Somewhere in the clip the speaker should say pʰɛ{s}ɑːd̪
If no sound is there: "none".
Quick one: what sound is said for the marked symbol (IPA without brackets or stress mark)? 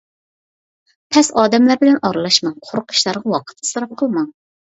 s